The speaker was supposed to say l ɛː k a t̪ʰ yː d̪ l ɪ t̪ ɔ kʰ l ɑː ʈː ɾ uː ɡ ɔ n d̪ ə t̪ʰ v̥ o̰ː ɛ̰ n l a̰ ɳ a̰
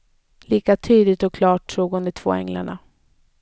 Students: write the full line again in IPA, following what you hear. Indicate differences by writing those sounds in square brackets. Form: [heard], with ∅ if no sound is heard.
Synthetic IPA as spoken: l [iː] k a t̪ʰ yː d̪ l ɪ t̪ ɔ kʰ l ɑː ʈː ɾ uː ɡ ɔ n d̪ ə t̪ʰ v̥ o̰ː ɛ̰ [ŋ] l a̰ ɳ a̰